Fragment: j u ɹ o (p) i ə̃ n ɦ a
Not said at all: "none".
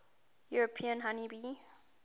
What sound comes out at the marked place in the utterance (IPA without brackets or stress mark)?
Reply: pʰ